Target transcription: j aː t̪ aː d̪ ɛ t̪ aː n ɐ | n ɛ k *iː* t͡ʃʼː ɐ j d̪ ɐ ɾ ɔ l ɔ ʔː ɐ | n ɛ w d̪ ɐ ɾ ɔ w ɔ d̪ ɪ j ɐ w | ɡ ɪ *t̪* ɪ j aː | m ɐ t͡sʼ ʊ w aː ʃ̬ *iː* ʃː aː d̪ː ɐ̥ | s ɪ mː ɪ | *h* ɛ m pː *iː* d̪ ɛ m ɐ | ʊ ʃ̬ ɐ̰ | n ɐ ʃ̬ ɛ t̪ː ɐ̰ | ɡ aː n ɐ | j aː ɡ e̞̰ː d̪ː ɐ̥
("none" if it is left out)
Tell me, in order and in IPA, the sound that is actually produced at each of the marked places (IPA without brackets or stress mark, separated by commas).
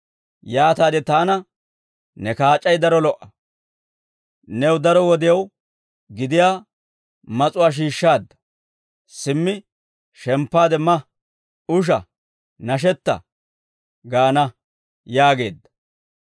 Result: aː, d̪, iː, ʃ, aː